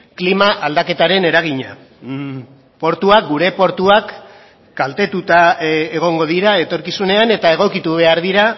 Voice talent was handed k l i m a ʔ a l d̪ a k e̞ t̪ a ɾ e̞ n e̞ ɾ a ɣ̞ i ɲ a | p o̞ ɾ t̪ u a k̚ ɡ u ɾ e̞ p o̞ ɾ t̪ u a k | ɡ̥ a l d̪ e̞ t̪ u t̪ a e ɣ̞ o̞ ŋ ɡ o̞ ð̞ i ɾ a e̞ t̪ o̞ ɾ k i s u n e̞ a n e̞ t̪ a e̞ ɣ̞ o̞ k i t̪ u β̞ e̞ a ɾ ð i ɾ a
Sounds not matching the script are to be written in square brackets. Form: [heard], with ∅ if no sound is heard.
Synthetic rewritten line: k l i m a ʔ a l d̪ a k e̞ t̪ a ɾ e̞ n e̞ ɾ a ɣ̞ i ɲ a | p o̞ ɾ t̪ u a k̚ ɡ u ɾ e̞ p o̞ ɾ t̪ u a k | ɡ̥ a l [t̪] e̞ t̪ u t̪ a e ɣ̞ o̞ ŋ ɡ o̞ ð̞ i ɾ a e̞ t̪ o̞ ɾ k i s u n e̞ a n e̞ t̪ a e̞ ɣ̞ o̞ k i t̪ u β̞ e̞ a ɾ ð i ɾ a